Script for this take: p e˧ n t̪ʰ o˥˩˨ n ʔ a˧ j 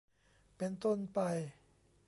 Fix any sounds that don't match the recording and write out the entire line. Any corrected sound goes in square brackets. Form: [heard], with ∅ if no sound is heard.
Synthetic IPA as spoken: p e˧ n [t̪] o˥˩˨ n [p] a˧ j